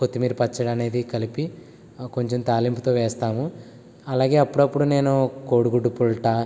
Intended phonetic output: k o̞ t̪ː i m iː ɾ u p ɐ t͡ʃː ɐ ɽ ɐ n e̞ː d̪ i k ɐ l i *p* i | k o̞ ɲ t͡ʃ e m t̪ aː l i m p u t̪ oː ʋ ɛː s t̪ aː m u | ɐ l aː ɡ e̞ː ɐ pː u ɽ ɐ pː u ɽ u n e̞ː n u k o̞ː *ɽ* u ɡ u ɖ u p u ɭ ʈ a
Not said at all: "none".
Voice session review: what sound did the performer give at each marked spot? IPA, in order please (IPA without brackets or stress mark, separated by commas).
p, ɽ